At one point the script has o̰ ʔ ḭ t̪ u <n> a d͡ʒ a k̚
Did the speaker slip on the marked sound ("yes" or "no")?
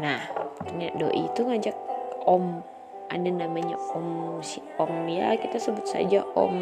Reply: yes